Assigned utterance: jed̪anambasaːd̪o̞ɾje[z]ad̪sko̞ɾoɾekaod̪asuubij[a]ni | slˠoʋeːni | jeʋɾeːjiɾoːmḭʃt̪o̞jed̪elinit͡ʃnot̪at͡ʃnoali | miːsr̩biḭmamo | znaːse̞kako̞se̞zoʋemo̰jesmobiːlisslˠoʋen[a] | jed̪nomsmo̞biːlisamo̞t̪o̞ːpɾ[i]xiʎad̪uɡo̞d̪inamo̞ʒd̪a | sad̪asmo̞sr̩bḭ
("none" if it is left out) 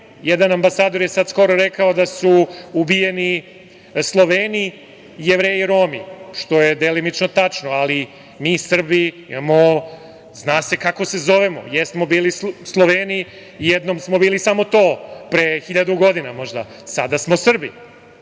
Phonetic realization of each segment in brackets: s, e, i, e

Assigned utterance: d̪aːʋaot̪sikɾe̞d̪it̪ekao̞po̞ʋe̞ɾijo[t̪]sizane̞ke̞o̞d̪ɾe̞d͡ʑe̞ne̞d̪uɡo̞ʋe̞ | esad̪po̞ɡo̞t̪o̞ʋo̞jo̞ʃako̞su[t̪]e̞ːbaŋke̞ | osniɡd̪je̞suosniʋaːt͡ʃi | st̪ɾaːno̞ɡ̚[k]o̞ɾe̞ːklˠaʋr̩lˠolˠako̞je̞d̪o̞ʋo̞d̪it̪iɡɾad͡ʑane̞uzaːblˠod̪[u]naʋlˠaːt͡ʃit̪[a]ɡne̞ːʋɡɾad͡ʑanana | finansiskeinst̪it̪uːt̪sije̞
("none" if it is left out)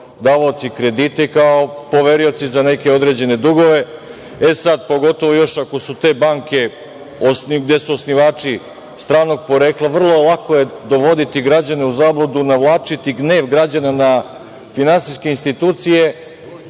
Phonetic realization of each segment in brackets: t̪, t̪, p, u, i

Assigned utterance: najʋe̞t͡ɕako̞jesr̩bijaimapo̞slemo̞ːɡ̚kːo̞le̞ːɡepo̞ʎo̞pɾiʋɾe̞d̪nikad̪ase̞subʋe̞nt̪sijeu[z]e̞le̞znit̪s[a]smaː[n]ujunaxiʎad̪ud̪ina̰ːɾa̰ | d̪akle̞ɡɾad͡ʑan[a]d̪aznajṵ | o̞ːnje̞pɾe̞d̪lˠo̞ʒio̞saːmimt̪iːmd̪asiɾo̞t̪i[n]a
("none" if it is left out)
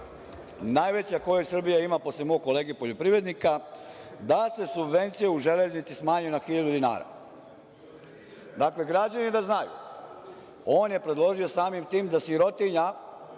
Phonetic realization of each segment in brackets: ʒ, i, ɲ, i, ɲ

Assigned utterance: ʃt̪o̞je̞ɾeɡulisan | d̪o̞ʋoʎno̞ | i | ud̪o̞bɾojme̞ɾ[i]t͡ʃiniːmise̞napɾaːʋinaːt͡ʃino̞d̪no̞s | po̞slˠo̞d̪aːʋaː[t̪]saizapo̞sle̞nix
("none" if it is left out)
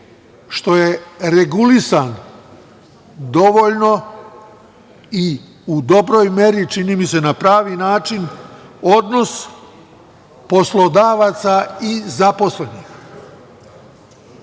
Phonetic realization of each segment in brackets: i, t̪

